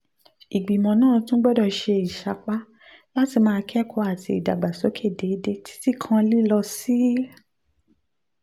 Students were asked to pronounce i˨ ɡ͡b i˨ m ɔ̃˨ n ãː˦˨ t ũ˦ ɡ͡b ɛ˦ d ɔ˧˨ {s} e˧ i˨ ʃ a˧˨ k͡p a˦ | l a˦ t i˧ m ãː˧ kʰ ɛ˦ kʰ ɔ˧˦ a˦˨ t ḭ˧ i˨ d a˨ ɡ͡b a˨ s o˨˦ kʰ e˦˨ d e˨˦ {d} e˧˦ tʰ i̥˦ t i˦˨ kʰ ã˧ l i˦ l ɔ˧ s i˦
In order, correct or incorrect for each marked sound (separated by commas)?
incorrect, correct